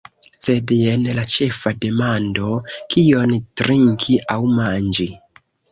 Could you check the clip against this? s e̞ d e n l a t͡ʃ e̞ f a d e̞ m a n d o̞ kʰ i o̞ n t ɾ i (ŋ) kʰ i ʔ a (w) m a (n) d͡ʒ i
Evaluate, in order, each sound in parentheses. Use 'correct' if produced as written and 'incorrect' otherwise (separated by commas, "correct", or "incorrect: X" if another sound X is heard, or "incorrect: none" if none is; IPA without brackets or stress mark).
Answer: correct, correct, correct